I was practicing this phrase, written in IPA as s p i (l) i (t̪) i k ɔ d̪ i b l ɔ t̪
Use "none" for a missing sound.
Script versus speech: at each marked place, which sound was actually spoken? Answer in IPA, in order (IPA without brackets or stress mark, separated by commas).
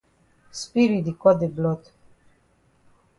ɾ, d̪